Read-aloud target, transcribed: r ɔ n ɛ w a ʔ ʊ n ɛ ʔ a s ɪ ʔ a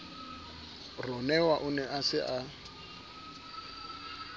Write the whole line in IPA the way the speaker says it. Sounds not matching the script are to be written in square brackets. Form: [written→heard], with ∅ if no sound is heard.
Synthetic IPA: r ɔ n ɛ w a ʔ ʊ n ɛ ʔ a s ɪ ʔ a

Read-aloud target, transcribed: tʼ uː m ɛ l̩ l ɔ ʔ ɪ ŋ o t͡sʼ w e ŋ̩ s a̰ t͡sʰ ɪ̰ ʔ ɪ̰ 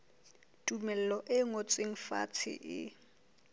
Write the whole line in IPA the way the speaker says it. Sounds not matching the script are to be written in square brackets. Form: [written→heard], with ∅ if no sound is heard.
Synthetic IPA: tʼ [uː→u] m ɛ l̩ l ɔ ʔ ɪ ŋ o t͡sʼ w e ŋ̩ [s→f] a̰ t͡sʰ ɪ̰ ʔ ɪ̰

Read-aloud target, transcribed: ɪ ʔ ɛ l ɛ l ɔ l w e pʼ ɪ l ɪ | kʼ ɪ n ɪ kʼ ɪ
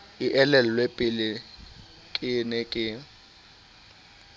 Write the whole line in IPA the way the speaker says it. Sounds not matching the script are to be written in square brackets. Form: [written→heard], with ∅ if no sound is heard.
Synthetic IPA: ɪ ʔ ɛ l ɛ l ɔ l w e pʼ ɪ l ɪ | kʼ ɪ n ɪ kʼ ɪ

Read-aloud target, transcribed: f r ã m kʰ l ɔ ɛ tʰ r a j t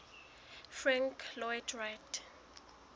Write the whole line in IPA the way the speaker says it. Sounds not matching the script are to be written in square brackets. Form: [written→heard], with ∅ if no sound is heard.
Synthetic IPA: f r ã [m→ŋ] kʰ l ɔ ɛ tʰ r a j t

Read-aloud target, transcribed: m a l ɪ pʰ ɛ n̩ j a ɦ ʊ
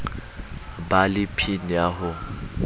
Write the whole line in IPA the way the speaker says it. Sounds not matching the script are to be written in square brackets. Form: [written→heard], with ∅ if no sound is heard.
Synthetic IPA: [m→b] a l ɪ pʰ [ɛ→i] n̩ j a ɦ ʊ

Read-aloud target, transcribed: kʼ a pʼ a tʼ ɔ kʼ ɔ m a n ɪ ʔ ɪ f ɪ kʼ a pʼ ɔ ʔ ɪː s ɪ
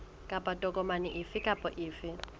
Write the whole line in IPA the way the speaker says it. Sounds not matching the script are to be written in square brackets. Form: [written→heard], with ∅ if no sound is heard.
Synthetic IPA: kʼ a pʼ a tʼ ɔ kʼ ɔ m a n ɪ ʔ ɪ f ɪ kʼ a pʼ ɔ ʔ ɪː [s→f] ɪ

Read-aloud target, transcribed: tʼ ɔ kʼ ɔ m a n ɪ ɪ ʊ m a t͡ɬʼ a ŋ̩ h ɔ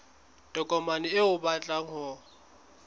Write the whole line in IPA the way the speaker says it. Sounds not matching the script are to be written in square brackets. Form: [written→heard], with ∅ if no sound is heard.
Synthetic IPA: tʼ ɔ kʼ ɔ m a n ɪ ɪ ʊ [m→b] a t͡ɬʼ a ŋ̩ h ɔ

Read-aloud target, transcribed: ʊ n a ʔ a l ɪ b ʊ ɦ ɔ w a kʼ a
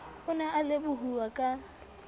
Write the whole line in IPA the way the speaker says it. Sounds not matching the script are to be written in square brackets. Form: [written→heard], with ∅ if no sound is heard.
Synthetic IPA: ʊ n a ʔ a l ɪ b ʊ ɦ [ɔ→u] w a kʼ a

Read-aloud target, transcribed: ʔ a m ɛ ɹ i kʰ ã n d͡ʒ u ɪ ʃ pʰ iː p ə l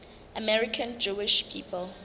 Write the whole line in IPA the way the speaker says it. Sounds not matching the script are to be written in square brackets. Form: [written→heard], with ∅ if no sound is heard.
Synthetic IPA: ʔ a m ɛ ɹ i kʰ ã n d͡ʒ u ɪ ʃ pʰ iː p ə l

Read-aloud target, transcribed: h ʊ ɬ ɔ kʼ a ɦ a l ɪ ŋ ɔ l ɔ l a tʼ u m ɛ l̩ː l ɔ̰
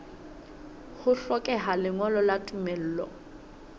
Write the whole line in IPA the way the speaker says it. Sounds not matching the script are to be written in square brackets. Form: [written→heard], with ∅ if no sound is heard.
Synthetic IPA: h ʊ ɬ ɔ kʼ [a→ɛ] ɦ a l ɪ ŋ ɔ l ɔ l a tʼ u m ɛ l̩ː l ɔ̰

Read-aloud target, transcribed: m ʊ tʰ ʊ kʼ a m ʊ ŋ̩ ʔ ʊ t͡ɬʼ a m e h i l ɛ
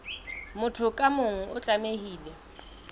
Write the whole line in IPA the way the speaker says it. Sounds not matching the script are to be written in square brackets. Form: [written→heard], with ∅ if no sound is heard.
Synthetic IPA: m ʊ tʰ ʊ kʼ a m ʊ ŋ̩ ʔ ʊ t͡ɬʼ a m e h [i→iː] l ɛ

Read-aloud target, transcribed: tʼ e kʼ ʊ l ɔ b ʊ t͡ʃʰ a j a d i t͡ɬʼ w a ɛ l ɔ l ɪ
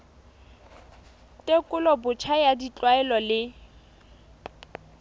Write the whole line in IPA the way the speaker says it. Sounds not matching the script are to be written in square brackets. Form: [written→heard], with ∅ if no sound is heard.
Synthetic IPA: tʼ e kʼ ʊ l ɔ b ʊ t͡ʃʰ a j a d i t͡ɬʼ w a ɛ l ɔ l ɪ

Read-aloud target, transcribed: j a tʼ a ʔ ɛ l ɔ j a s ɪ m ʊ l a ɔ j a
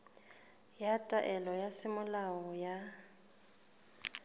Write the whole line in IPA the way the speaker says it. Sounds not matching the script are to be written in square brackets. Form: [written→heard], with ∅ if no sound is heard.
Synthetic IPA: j a tʼ a ʔ ɛ l ɔ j a s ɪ m ʊ l a ɔ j a

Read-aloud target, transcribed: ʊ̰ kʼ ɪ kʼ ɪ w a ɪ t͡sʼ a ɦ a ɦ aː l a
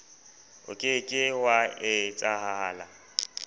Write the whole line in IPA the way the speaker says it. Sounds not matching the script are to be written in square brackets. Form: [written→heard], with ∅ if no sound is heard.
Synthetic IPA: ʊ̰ kʼ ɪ kʼ ɪ w a ɪ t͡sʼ a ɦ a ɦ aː l a

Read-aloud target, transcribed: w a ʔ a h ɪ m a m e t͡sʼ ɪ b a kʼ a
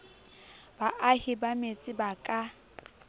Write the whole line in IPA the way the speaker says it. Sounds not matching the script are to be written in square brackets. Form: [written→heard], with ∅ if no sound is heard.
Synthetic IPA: [w→b] a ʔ a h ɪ [m→b] a m e t͡sʼ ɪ b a kʼ a

